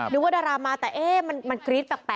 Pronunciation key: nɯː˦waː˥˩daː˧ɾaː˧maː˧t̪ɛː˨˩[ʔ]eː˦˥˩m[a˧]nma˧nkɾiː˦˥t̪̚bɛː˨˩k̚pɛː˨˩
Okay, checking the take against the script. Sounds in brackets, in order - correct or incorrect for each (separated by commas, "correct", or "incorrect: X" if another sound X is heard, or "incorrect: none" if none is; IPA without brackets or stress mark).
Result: correct, correct